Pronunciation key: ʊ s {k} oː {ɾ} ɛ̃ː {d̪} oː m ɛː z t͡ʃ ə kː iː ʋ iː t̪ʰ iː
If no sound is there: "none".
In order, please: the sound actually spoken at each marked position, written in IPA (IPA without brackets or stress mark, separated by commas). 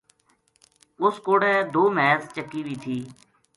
k, ɽ, d̪